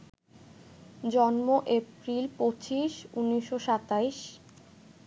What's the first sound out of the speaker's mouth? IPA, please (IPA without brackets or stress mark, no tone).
d͡ʑ